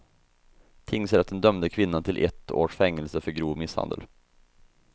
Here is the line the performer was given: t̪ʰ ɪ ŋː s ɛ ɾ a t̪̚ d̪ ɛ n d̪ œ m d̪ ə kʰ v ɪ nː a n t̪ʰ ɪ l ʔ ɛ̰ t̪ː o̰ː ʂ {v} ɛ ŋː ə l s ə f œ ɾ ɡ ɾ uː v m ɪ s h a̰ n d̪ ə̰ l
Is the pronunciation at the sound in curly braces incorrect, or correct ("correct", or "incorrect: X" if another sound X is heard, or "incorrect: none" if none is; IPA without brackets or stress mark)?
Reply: incorrect: f